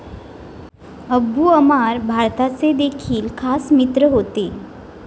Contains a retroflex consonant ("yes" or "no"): no